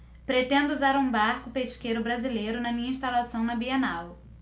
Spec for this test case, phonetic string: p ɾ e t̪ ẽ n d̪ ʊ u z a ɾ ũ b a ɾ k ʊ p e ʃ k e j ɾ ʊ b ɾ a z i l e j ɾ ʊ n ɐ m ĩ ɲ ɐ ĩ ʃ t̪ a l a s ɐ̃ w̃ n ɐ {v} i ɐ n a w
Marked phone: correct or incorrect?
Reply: incorrect